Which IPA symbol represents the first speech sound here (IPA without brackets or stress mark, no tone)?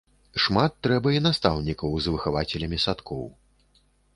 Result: ʂ